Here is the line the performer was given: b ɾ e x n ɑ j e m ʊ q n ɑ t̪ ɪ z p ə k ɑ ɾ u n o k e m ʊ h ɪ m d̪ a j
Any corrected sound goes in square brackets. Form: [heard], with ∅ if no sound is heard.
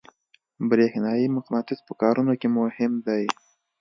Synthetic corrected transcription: b ɾ e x n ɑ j [i] m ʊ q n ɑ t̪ ɪ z p ə k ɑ ɾ u n o k e m ʊ h ɪ m d̪ a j